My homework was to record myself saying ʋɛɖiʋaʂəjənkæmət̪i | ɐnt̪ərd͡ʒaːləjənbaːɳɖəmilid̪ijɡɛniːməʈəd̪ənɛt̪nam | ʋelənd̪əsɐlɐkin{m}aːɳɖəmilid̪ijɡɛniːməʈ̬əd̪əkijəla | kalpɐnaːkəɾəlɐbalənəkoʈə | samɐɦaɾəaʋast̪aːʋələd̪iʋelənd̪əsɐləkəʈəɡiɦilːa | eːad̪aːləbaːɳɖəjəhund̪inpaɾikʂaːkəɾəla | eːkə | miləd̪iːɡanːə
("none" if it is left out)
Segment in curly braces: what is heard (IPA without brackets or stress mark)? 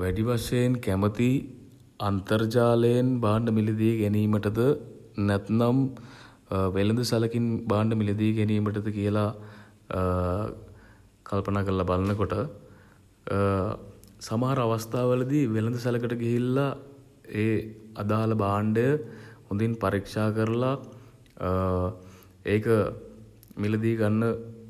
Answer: b